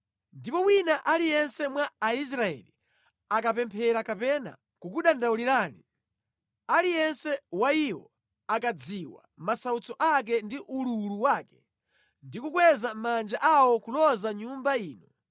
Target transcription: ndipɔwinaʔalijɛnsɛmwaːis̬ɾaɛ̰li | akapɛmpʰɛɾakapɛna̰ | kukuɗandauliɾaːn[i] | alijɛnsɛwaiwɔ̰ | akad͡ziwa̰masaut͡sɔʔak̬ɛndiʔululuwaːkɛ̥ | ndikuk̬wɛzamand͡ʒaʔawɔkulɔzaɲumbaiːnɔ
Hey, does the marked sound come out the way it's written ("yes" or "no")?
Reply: yes